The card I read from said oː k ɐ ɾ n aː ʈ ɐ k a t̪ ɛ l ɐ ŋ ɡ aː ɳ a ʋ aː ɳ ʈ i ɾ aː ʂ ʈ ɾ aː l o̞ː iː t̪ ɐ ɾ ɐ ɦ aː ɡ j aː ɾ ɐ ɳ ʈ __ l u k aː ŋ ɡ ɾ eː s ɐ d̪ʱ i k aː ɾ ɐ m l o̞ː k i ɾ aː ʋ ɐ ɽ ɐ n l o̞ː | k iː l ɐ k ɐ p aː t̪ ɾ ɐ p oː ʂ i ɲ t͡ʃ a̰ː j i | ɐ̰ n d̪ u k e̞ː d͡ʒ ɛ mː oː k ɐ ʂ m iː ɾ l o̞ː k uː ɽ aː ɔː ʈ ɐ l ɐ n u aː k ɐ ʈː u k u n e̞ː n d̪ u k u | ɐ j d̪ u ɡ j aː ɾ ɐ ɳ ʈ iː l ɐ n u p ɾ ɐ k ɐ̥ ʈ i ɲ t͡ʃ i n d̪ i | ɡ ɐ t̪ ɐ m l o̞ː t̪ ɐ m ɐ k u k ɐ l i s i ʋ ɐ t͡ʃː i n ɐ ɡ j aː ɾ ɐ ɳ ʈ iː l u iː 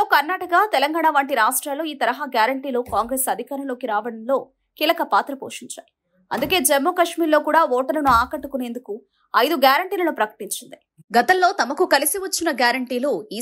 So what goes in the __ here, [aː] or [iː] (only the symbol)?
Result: iː